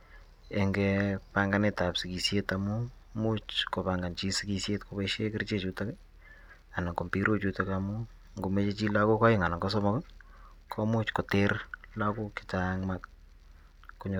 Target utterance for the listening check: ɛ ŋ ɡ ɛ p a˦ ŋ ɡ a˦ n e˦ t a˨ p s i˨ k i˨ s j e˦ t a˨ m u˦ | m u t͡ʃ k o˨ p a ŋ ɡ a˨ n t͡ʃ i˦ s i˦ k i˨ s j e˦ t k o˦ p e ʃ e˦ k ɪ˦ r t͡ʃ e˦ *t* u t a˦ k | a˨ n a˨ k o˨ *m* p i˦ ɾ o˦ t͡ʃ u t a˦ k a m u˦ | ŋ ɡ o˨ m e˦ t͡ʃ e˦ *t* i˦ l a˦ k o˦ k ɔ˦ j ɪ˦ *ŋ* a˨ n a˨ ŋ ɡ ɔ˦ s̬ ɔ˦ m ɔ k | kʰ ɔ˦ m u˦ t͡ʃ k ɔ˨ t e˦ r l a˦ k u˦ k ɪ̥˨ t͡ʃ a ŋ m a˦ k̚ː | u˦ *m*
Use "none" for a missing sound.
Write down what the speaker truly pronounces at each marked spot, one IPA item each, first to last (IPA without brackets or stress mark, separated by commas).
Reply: t͡ʃ, m, t͡ʃ, ŋ, ɲ